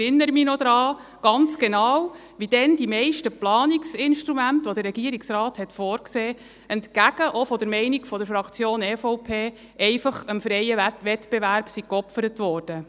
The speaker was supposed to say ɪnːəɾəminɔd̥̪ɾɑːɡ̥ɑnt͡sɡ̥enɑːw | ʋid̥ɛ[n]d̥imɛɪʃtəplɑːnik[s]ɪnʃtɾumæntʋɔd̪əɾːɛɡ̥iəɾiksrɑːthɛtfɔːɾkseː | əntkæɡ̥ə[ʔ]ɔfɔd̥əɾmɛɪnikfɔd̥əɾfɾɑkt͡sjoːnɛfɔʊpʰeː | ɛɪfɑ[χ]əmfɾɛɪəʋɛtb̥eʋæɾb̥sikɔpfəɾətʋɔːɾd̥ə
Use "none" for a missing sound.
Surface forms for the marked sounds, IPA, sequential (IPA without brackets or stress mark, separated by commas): n, s, ʔ, χ